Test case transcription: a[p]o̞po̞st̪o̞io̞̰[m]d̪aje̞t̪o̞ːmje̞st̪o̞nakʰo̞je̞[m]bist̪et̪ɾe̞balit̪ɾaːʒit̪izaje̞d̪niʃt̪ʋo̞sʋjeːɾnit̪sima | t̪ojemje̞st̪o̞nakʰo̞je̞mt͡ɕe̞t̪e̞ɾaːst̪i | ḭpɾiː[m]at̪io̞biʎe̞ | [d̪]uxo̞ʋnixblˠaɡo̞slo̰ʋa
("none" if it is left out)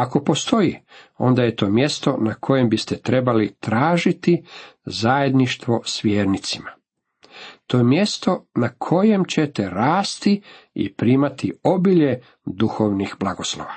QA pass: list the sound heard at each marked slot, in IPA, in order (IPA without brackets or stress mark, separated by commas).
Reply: k, n, m, m, d̪